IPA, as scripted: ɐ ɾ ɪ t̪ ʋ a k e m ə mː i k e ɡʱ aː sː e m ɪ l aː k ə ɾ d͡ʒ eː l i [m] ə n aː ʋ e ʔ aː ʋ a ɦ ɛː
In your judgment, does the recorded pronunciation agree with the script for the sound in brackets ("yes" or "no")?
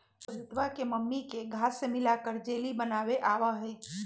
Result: no